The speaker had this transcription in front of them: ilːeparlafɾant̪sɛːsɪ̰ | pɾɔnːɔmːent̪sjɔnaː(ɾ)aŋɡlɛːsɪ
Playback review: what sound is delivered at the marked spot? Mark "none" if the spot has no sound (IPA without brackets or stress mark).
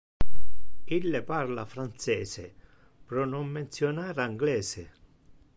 ɾ